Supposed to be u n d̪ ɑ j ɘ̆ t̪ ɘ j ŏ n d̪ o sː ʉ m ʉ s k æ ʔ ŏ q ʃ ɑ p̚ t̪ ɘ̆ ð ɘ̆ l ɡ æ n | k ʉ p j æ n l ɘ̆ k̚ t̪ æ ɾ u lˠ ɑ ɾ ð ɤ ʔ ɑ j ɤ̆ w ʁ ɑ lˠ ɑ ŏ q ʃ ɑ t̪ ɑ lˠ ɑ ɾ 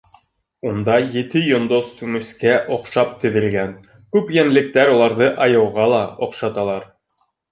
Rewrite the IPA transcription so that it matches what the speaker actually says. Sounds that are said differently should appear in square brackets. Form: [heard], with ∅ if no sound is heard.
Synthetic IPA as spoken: u n d̪ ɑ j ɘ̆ t̪ ɘ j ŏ n d̪ o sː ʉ m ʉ s k æ ʔ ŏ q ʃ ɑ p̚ t̪ ɘ̆ ð ɘ̆ l ɡ æ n | k ʉ p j æ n l ɘ̆ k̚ t̪ æ ɾ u lˠ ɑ ɾ ð ɤ ʔ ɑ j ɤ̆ w ʁ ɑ lˠ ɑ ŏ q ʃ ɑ t̪ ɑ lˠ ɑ ɾ